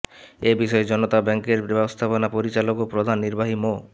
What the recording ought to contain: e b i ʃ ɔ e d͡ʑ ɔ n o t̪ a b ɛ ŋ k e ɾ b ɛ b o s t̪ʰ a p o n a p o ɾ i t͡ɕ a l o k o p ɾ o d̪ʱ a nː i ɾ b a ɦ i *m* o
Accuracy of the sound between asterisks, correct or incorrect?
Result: correct